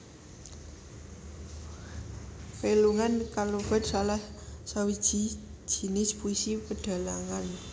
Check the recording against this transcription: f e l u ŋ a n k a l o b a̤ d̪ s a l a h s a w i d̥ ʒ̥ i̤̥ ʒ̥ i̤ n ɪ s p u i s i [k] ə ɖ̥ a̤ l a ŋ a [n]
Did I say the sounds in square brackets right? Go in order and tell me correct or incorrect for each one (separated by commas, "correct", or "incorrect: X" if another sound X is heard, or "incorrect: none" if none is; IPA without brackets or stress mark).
incorrect: p, correct